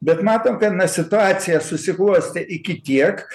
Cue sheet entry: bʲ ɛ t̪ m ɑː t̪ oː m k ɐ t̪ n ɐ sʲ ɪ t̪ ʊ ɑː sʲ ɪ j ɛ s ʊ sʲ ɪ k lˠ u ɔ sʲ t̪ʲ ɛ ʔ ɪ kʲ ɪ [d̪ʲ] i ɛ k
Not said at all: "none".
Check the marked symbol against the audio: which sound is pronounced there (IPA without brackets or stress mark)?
t̪ʲ